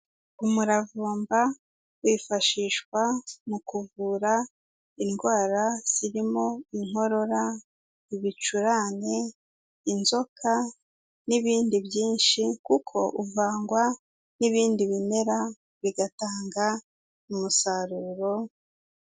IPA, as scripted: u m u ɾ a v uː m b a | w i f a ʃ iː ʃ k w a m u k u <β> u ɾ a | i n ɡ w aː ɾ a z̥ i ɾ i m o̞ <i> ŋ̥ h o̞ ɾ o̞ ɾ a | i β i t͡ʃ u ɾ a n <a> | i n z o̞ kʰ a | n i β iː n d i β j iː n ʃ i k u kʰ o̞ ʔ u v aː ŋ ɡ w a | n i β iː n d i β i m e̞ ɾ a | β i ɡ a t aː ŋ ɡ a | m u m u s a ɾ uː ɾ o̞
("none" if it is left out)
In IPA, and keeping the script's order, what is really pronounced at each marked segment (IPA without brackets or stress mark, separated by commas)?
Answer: v, i, e